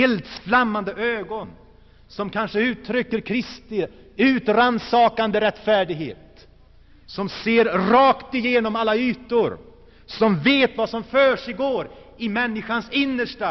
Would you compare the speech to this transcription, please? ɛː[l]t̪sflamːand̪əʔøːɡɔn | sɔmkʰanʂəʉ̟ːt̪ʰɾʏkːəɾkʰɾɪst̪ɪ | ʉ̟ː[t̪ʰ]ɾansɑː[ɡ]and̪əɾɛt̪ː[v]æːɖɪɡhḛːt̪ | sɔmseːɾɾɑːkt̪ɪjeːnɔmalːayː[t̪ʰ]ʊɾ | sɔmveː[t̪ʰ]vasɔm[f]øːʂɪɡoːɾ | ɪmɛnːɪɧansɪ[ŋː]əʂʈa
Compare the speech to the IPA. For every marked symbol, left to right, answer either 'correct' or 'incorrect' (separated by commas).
correct, incorrect, incorrect, incorrect, incorrect, incorrect, correct, incorrect